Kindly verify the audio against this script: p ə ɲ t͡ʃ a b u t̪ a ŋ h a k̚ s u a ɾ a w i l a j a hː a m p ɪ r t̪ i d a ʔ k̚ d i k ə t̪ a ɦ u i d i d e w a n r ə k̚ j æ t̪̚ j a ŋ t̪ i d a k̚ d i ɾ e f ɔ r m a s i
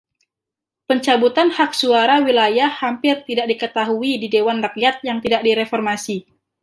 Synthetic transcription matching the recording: p ə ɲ t͡ʃ a b u t̪ a n h a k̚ s u a ɾ a w i l a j a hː a m p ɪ r t̪ i d a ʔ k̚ d i k ə t̪ a ɦ u i d i d e w a n r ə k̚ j a t̪̚ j a ŋ t̪ i d a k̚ d i ɾ e f ɔ r m a s i